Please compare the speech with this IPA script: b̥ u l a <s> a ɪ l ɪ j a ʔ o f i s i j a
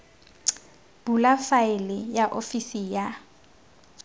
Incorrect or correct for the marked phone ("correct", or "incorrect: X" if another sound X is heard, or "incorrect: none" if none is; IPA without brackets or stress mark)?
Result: incorrect: f